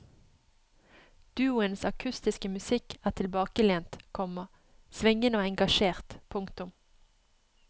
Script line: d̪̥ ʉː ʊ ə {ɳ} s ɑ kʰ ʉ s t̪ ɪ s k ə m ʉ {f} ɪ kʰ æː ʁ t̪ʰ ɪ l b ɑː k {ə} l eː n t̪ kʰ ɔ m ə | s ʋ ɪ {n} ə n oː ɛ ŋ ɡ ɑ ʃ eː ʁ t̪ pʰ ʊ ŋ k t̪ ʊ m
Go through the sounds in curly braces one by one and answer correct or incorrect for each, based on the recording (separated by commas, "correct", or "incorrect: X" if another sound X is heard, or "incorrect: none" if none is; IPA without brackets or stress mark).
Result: incorrect: n, incorrect: s, correct, incorrect: ŋ